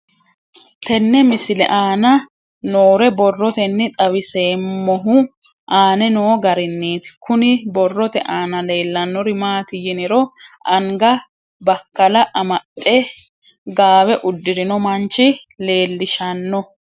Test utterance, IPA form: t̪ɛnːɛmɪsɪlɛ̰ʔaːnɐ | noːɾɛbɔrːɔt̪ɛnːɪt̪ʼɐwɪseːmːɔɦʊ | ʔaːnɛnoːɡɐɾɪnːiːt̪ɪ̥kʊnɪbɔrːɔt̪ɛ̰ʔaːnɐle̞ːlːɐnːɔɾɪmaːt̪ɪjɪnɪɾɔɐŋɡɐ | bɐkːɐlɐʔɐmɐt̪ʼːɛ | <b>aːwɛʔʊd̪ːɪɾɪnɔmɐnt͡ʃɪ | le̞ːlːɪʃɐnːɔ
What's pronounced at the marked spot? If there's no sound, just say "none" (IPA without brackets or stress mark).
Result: ɡ